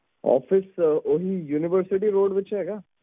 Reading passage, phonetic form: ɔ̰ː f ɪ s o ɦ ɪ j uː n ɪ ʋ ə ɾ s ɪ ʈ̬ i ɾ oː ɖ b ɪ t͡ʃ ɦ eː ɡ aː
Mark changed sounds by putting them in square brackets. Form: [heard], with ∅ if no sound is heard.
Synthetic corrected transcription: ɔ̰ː f ɪ s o ɦ [i] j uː n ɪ ʋ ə ɾ s ɪ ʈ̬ i ɾ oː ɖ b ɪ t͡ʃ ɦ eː ɡ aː